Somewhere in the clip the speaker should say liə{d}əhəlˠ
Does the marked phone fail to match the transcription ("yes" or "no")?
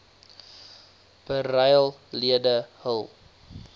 no